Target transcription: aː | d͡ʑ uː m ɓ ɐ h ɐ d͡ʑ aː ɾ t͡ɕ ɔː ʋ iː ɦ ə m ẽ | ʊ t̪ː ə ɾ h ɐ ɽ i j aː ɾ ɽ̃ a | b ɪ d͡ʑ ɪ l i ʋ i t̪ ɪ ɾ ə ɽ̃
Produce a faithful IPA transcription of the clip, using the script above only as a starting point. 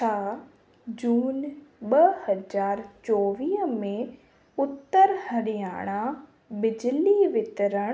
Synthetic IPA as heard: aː | d͡ʑ uː n ɓ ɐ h ɐ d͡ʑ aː ɾ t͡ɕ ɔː ʋ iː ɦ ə m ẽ | ʊ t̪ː ə ɾ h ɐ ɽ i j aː ɽ̃ a | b ɪ d͡ʑ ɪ l i ʋ ɪ t̪ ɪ ɾ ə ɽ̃